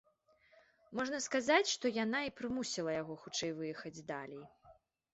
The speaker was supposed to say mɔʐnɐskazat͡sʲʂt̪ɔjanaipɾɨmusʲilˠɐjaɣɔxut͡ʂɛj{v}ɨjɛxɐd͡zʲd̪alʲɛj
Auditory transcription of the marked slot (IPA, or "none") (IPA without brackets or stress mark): v